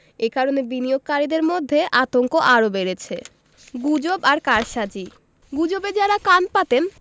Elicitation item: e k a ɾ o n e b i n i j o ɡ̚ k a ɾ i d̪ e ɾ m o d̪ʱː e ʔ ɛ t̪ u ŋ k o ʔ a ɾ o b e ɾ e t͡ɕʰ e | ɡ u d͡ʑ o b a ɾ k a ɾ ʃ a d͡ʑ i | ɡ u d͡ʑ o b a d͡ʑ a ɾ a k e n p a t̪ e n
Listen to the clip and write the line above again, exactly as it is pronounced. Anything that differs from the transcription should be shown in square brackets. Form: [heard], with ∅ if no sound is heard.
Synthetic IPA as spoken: e k a ɾ o n e b i n i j o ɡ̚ k a ɾ i d̪ e ɾ m o d̪ʱː e ʔ [a] t̪ [o] ŋ k o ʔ a ɾ o b e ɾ e t͡ɕʰ e | ɡ u d͡ʑ o b a ɾ k a ɾ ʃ a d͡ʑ i | ɡ u d͡ʑ o b [e] d͡ʑ a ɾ a k [a] n p a t̪ e n